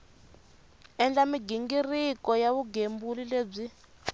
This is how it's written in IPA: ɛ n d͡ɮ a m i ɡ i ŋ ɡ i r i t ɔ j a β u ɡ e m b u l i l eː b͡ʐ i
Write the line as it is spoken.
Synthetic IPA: ɛ n d͡ɮ a m i ɡ i ŋ ɡ i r i k ɔ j a β u ɡ e m b u l i l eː b͡ʐ i